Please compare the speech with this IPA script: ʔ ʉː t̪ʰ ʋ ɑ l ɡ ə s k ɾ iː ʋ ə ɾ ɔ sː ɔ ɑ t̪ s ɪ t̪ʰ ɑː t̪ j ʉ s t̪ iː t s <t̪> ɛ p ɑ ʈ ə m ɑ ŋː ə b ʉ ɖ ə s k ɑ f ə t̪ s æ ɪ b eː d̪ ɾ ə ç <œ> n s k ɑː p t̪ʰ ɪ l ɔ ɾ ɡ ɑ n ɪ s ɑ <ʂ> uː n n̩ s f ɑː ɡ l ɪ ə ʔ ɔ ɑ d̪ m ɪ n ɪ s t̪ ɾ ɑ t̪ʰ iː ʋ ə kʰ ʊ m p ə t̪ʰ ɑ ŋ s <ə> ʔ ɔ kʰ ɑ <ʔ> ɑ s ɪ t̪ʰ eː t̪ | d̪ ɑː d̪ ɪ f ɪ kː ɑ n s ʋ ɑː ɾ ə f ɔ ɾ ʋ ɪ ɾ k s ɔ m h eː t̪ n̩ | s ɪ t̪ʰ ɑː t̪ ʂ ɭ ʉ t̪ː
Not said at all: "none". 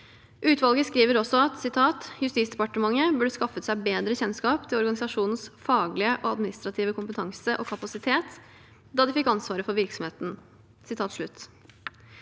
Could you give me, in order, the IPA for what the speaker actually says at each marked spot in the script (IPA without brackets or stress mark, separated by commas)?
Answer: d̪, ɛ, ʂ, ə, p